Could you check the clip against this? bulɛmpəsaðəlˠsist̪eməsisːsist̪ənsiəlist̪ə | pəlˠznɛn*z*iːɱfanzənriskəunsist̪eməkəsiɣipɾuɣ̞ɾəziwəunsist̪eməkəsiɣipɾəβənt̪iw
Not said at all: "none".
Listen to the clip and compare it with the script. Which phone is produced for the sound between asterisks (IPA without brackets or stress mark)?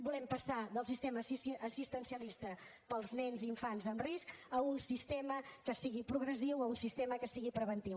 z